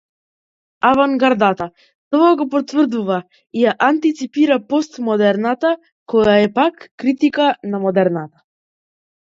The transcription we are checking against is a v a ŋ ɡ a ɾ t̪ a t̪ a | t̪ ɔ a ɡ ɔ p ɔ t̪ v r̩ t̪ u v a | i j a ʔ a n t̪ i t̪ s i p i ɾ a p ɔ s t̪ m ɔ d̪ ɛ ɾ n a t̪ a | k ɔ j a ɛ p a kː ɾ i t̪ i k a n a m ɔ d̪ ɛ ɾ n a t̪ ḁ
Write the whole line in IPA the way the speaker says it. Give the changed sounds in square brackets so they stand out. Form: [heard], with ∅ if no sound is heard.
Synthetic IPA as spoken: a v a ŋ ɡ a ɾ [d̪] a t̪ a | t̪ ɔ a ɡ ɔ p ɔ t̪ v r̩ [d̪] u v a | i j a ʔ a n t̪ i t̪ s i p i ɾ a p ɔ s t̪ m ɔ d̪ ɛ ɾ n a t̪ a | k ɔ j a ɛ p a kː ɾ i t̪ i k a n a m ɔ d̪ ɛ ɾ n a t̪ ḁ